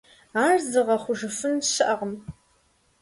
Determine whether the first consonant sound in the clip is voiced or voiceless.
voiced